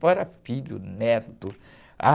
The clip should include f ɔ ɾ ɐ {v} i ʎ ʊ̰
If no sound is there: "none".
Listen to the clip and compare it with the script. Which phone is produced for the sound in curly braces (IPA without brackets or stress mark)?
f